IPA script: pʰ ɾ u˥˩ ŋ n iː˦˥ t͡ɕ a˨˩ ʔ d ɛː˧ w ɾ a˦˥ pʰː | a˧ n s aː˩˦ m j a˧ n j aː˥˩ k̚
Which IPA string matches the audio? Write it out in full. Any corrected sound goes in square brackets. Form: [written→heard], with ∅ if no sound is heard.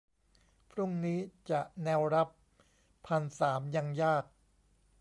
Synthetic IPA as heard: pʰ ɾ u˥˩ ŋ n iː˦˥ t͡ɕ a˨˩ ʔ [d→n] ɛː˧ w ɾ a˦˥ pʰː | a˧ n s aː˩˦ m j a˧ [n→ŋ] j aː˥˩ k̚